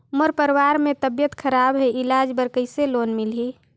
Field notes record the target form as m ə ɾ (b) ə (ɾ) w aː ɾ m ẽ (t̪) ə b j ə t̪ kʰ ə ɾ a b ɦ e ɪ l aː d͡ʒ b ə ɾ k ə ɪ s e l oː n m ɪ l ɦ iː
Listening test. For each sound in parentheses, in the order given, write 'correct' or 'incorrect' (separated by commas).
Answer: incorrect, correct, correct